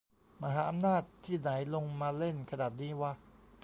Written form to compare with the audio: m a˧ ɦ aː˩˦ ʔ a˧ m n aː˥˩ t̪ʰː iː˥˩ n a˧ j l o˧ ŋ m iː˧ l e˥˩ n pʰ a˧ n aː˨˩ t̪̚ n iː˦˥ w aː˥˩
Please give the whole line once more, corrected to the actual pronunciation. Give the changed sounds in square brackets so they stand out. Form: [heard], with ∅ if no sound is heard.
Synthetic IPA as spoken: m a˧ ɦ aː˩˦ ʔ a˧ m n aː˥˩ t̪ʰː iː˥˩ n [a˩˦] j l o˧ ŋ m [aː˧] l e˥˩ n [kʰ] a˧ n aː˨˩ t̪̚ n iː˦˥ w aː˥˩